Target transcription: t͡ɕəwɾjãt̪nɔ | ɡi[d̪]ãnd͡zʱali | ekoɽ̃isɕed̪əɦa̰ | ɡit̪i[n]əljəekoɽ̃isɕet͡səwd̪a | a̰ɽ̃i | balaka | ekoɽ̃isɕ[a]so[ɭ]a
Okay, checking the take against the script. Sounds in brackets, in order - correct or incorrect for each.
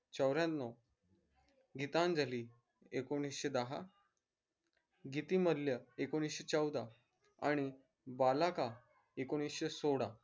incorrect, incorrect, incorrect, incorrect

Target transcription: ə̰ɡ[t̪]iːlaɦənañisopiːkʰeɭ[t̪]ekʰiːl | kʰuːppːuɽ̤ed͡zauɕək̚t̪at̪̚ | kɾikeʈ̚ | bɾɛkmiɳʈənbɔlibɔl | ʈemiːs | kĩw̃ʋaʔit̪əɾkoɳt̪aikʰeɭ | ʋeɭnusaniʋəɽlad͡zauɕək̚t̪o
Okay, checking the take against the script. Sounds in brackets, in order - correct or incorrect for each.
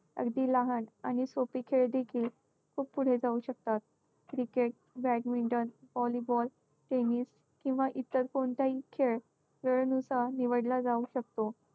incorrect, incorrect

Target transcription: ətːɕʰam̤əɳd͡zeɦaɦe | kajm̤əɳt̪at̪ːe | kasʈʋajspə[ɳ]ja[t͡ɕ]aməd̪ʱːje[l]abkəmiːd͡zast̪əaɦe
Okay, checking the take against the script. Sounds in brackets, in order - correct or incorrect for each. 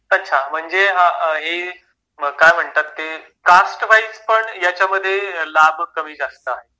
correct, correct, correct

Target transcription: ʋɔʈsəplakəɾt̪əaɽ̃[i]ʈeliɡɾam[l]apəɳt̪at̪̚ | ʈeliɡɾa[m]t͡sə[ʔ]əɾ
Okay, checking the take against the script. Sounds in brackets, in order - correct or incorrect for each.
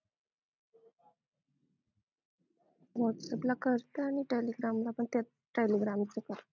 correct, correct, correct, incorrect

